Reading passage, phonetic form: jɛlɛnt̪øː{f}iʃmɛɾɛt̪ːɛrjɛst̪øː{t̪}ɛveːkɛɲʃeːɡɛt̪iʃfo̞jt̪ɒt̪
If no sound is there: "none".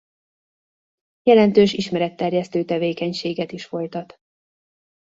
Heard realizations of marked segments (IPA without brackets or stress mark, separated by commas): ʃ, t̪